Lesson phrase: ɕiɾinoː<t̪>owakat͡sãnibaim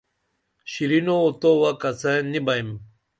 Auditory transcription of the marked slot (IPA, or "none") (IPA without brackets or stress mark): t̪